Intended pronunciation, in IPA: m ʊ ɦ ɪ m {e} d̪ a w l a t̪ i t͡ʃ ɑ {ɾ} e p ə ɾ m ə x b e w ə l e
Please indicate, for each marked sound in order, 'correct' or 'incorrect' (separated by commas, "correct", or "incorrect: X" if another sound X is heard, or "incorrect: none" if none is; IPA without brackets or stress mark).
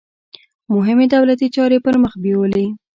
correct, correct